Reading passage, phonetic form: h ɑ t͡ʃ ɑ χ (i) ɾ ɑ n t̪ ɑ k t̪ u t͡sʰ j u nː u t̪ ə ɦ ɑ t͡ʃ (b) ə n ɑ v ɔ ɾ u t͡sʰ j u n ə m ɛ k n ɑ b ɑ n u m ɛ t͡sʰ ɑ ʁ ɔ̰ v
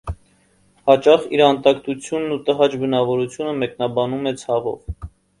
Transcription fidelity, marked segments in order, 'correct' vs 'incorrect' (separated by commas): correct, correct